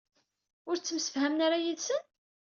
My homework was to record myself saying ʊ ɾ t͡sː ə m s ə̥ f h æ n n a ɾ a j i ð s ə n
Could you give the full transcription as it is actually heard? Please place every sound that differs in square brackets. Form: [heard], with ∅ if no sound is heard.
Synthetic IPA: ʊ ɾ t͡sː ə m s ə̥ f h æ [m] n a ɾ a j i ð s ə n